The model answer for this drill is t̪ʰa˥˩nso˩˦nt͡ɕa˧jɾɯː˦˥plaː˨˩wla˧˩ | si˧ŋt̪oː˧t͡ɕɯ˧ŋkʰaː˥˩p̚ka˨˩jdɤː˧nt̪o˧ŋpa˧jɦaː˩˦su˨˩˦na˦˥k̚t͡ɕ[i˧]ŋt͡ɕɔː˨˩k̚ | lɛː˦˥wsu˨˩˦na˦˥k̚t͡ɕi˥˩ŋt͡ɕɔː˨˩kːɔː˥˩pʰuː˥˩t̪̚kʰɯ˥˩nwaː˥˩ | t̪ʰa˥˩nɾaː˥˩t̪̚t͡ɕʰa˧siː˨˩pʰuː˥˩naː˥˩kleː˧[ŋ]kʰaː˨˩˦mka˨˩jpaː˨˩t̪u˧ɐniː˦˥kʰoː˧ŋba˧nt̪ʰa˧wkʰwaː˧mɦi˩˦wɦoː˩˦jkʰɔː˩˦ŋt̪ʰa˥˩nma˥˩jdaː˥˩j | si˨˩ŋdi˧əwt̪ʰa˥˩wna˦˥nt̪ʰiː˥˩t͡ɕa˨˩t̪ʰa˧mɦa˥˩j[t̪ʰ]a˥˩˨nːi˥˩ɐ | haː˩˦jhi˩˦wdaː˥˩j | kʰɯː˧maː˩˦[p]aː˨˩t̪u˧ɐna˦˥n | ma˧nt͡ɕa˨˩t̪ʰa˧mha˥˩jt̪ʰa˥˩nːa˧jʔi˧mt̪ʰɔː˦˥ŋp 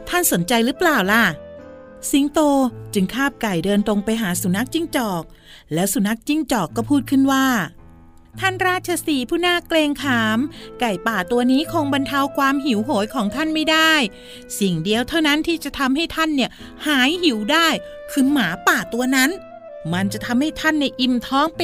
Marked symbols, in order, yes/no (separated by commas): no, yes, yes, yes